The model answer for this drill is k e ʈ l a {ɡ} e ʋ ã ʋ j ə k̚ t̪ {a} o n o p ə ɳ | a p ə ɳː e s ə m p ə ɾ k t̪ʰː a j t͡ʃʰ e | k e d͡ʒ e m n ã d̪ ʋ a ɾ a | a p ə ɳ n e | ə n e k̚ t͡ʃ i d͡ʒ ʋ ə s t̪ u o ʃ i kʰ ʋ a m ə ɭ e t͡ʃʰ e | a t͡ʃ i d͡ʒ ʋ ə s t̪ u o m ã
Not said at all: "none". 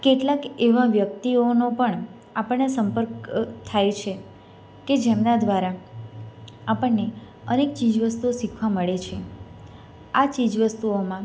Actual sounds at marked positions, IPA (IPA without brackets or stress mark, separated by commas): k, i